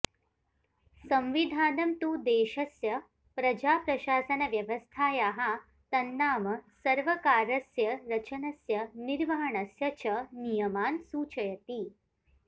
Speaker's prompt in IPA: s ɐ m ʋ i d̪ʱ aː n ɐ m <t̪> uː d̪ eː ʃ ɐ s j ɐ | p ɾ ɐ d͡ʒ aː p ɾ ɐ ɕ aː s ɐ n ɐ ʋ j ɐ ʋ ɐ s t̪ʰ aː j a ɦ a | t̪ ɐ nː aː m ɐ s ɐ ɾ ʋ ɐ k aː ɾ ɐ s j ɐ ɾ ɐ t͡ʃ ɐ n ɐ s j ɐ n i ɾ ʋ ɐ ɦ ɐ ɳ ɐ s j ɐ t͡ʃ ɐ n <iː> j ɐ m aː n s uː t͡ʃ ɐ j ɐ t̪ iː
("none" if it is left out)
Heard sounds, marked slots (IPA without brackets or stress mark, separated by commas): t̪, i